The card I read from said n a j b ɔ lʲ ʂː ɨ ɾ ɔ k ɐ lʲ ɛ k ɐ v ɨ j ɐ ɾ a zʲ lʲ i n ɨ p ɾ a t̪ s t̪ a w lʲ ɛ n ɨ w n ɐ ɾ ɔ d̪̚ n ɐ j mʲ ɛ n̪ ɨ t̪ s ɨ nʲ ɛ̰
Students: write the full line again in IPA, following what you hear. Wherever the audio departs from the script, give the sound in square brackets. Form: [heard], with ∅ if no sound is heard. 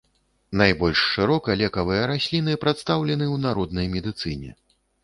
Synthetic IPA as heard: n a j b ɔ lʲ ʂː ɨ ɾ ɔ k ɐ lʲ ɛ k ɐ v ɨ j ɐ ɾ a [sʲ] lʲ i n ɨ p ɾ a t̪ s t̪ a w lʲ ɛ n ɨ w n [a] ɾ ɔ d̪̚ n ɐ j mʲ ɛ [d̪] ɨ t̪ s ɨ nʲ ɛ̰